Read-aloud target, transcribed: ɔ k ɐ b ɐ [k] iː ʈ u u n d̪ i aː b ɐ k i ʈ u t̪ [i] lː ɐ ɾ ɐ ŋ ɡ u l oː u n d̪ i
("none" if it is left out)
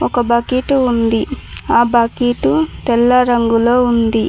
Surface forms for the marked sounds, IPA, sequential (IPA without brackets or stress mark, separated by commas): k, ɛ